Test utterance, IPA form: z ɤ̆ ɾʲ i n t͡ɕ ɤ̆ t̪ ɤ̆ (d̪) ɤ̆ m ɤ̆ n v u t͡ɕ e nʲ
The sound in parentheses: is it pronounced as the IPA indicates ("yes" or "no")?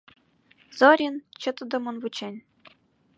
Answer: yes